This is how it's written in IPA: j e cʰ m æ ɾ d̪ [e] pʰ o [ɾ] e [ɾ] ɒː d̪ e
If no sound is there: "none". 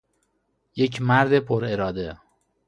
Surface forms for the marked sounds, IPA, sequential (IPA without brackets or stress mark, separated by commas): e, ɾ, ɾ